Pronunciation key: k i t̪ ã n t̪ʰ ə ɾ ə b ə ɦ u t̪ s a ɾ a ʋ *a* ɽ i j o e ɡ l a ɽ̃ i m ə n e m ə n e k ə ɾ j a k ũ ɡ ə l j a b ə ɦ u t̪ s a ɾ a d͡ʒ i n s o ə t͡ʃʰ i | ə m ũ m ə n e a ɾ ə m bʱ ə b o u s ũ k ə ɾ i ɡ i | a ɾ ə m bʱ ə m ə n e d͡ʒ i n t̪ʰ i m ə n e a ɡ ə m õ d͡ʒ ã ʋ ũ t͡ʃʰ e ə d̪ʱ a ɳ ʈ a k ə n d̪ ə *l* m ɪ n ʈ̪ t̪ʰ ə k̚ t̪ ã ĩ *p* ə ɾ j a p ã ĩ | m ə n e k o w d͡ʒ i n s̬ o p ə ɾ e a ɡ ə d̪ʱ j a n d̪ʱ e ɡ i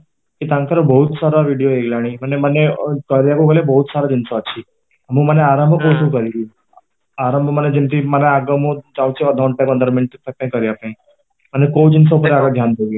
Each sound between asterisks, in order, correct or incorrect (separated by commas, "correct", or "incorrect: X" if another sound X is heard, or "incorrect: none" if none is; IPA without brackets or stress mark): incorrect: i, incorrect: ɾ, incorrect: k